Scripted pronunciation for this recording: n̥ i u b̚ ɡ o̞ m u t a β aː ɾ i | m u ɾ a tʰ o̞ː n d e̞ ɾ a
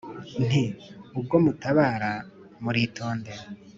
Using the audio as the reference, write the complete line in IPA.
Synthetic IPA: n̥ i u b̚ ɡ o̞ m u t a β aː ɾ a | m u ɾ i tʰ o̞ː n d e̞ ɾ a